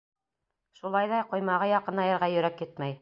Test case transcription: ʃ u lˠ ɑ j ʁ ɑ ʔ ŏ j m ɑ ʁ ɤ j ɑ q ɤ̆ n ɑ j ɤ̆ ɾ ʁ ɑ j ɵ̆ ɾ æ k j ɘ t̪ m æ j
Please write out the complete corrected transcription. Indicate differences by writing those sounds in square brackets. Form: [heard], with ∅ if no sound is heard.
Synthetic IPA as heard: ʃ u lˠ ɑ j [ð] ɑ [q] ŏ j m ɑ ʁ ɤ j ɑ q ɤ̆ n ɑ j ɤ̆ ɾ ʁ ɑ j ɵ̆ ɾ æ k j ɘ t̪ m æ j